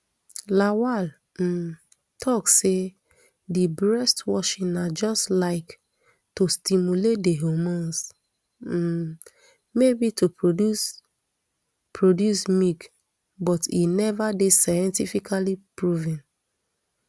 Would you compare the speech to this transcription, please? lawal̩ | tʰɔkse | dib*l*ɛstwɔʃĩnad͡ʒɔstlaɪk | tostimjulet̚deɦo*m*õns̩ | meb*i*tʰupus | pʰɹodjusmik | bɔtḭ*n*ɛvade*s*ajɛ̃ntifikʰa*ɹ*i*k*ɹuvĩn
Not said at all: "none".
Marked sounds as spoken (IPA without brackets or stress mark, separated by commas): ɹ, m, i, n, s, l, p